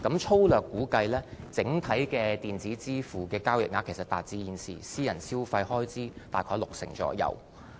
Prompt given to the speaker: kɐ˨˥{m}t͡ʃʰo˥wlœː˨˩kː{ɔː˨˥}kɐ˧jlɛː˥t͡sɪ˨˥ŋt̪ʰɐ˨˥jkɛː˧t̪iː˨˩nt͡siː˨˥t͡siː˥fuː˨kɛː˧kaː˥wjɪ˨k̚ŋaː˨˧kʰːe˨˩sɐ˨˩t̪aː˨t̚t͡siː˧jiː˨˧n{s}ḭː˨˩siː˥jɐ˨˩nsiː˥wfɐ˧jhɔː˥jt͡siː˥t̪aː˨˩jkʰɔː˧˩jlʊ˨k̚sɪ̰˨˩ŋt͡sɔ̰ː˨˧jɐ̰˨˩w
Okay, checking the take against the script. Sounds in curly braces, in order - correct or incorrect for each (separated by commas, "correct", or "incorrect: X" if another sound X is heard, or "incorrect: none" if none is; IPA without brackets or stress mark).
correct, incorrect: uː˨˥, correct